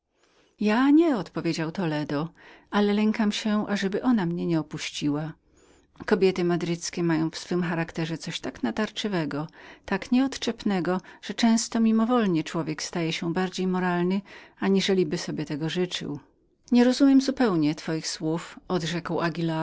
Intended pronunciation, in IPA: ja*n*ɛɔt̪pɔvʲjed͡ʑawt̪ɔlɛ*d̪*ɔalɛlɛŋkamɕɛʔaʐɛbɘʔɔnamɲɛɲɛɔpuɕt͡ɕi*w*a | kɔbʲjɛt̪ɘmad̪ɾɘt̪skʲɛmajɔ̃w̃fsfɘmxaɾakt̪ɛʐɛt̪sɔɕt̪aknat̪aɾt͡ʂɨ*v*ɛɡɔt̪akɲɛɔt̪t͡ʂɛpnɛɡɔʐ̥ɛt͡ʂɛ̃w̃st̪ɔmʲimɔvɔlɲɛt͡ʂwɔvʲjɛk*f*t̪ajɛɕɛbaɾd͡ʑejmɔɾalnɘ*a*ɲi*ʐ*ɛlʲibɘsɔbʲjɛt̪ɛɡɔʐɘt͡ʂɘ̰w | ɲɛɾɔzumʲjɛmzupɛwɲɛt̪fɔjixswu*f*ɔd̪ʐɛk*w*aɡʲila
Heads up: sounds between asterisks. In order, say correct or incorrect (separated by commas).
incorrect, correct, correct, correct, incorrect, correct, correct, correct, correct